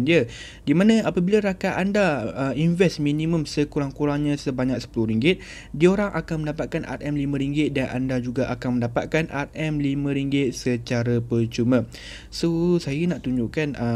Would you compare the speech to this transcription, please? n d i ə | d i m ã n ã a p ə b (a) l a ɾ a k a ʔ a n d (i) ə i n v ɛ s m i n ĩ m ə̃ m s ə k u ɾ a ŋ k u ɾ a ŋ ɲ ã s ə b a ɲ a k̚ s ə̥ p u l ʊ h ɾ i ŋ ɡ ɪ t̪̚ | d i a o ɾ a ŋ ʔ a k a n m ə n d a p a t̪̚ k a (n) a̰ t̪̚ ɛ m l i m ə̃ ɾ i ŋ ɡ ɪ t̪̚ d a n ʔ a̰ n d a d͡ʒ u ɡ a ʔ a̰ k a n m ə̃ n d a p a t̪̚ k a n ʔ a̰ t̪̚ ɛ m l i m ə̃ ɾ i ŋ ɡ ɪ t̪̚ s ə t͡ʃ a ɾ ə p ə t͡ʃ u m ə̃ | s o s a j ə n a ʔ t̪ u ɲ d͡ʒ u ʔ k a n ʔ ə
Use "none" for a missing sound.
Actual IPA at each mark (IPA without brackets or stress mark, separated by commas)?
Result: i, a, n